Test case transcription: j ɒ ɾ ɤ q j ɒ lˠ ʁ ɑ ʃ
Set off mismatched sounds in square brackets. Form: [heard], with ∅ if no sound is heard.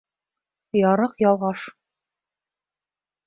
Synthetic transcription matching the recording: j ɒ ɾ ɤ q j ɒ lˠ ʁ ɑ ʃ